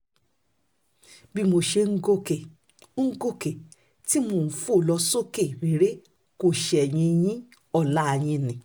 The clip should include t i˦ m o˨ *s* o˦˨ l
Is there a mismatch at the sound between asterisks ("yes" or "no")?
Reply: yes